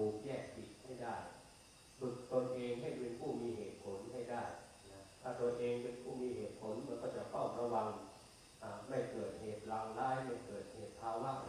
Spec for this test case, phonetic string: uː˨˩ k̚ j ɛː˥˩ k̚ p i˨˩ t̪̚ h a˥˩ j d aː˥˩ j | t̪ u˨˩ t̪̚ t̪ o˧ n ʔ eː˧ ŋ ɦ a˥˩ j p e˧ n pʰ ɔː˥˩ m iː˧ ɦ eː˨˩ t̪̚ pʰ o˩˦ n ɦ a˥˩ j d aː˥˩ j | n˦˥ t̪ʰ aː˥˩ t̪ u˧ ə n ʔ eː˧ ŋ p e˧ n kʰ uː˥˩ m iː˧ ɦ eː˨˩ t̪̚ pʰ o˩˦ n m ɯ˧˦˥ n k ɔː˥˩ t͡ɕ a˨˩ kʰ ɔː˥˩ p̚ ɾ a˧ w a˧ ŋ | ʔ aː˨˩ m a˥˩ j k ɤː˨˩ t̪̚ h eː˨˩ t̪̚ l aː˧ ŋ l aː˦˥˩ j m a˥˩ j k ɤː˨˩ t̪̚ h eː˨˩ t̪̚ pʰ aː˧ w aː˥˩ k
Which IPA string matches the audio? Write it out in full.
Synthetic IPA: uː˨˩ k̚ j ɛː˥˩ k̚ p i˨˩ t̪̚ h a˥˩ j d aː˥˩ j | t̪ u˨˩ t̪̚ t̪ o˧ n ʔ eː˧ ŋ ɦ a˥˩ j p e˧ n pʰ uː˥˩ m iː˧ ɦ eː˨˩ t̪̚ pʰ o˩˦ n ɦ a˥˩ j d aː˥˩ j | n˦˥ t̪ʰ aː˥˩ t̪ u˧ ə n ʔ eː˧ ŋ p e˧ n pʰ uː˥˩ m iː˧ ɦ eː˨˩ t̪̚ pʰ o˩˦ n m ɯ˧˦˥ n k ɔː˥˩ t͡ɕ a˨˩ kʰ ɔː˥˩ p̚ ɾ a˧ w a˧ ŋ | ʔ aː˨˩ m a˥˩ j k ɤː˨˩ t̪̚ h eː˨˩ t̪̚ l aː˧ ŋ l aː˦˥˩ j m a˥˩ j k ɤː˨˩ t̪̚ h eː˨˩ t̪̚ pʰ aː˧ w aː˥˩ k